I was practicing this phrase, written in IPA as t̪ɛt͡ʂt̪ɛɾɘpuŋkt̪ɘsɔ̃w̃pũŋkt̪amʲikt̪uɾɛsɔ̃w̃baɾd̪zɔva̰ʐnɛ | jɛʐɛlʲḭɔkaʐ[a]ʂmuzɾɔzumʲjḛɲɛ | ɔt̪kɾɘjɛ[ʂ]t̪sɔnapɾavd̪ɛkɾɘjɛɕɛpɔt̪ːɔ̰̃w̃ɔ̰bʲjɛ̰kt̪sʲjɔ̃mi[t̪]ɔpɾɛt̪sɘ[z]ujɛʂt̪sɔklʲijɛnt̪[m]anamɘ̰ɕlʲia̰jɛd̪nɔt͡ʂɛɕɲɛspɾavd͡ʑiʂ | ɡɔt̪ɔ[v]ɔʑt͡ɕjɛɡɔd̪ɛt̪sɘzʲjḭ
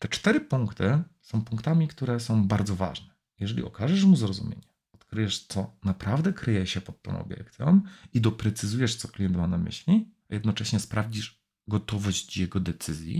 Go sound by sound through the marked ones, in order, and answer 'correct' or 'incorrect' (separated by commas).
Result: incorrect, correct, incorrect, correct, correct, correct